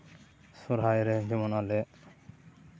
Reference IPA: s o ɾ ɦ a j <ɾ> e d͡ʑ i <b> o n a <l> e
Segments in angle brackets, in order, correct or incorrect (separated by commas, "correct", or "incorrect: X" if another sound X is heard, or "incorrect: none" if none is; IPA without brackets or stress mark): correct, incorrect: m, correct